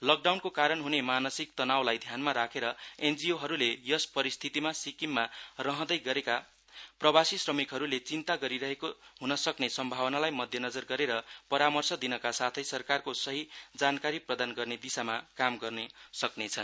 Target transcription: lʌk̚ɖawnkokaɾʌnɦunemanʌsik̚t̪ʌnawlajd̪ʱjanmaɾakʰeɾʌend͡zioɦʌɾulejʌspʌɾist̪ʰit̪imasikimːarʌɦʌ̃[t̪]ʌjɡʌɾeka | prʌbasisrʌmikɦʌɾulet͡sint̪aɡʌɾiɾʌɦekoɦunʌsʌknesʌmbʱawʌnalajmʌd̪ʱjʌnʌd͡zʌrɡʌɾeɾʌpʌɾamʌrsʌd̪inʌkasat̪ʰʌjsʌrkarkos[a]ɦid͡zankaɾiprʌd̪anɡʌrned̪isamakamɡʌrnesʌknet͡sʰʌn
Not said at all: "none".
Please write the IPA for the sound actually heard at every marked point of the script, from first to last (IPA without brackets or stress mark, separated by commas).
d̪, ʌ